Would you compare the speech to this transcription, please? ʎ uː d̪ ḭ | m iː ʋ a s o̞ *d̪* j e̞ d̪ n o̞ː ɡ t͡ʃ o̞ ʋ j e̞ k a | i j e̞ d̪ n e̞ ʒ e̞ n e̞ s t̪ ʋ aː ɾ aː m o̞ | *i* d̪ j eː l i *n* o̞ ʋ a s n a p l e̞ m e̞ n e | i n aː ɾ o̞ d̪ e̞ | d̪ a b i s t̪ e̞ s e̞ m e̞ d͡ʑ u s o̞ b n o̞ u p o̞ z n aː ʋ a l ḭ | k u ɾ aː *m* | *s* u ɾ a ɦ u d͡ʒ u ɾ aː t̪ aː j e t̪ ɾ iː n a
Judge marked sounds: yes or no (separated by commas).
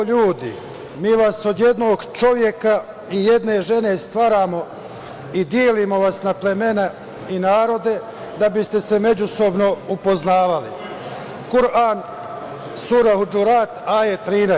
yes, yes, no, no, yes